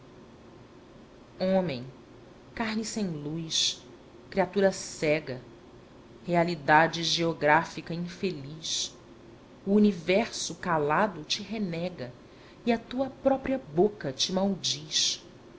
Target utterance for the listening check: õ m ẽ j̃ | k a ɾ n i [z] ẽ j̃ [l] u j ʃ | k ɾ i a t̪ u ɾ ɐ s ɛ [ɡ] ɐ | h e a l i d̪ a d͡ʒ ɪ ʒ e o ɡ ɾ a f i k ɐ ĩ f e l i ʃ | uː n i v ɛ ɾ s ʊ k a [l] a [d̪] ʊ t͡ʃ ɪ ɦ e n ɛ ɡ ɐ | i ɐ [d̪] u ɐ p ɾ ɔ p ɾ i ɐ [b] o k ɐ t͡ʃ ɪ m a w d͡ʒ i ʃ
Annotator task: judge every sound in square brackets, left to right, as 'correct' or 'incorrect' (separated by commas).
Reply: incorrect, correct, correct, correct, correct, incorrect, correct